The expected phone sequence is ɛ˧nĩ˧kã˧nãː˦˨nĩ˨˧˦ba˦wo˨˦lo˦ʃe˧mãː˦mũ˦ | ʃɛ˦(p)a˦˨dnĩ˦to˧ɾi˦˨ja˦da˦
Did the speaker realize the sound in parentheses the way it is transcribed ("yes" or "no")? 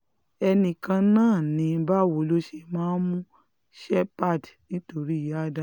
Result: yes